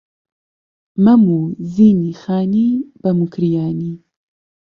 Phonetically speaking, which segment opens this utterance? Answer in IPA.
m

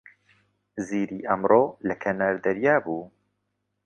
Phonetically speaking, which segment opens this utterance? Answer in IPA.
z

